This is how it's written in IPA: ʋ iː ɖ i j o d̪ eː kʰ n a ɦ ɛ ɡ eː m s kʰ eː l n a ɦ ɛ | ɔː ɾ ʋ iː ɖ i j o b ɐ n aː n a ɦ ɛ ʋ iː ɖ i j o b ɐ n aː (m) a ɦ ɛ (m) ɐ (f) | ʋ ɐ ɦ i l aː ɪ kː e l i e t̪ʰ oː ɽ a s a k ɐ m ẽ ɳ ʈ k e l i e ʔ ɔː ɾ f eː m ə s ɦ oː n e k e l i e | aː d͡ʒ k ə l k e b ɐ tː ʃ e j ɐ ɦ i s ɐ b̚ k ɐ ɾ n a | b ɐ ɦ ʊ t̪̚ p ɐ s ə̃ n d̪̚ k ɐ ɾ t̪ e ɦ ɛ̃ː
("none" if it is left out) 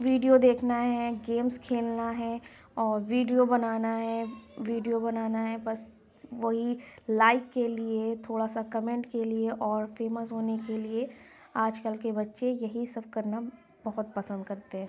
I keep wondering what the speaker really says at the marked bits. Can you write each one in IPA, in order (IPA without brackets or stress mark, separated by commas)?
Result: n, b, s